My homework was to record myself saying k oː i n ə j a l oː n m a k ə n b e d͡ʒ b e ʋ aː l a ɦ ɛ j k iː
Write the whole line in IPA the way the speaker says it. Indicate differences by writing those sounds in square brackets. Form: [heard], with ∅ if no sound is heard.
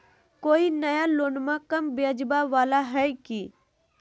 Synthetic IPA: k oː i n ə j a l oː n m a k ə [m] b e d͡ʒ b [a] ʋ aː l a ɦ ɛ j k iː

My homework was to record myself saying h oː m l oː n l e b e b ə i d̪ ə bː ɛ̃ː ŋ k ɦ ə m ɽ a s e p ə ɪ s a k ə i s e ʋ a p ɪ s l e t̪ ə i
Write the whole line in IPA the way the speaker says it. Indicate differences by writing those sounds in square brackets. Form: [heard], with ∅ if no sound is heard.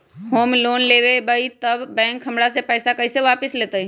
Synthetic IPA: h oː m l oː n l e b e b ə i [t̪] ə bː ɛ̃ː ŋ k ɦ ə m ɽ a s e p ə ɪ s a k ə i s e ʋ a p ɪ s l e t̪ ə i

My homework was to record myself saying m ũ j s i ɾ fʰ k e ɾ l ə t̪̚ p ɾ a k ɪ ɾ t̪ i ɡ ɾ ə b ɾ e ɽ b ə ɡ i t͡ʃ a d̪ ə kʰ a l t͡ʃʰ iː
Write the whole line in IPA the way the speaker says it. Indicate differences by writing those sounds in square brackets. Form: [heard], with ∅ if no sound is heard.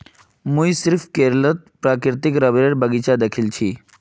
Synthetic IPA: m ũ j s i ɾ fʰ k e ɾ l ə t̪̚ p ɾ a k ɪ ɾ t̪ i [k] ɾ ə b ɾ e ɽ b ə ɡ i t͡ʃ a d̪ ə kʰ [i] l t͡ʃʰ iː

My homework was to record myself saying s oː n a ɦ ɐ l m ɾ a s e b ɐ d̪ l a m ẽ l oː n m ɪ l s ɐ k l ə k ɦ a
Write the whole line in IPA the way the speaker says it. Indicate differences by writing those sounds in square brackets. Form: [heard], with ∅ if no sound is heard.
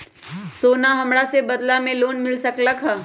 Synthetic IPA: s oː n a ɦ ɐ [∅] m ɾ a s e b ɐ d̪ l a m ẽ l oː n m ɪ l s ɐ k l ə k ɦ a

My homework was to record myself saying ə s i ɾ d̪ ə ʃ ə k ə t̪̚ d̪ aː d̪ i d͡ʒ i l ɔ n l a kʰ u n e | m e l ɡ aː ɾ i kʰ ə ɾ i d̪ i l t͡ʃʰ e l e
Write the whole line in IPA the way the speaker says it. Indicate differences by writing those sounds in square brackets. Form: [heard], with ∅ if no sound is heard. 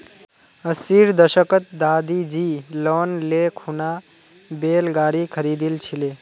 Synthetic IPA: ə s i ɾ d̪ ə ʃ ə k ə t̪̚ d̪ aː d̪ i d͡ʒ i l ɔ n l [e] kʰ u n [a] | [b] e l ɡ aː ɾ i kʰ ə ɾ i d̪ i l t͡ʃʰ [i] l e

